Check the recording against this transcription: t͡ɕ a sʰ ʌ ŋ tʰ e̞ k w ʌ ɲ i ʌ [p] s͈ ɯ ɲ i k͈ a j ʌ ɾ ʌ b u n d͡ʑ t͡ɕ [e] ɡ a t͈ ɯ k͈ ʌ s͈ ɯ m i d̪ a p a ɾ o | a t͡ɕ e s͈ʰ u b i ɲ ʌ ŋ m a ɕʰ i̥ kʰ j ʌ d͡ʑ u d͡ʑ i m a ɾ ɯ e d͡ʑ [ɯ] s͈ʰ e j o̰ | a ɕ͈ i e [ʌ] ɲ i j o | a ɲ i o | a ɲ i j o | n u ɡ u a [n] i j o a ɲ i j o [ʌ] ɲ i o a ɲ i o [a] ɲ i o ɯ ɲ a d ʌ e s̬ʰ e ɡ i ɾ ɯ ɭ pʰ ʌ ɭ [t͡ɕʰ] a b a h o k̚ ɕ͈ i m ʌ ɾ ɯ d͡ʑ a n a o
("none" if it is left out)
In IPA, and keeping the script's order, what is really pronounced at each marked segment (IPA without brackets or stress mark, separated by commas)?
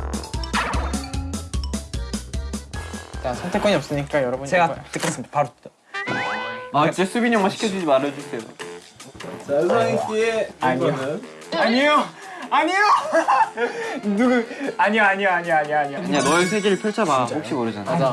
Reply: p, e, u, a, ɲ, a, a, t͡ɕʰ